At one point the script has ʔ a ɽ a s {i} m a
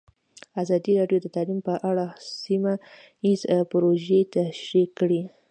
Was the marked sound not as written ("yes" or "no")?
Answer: no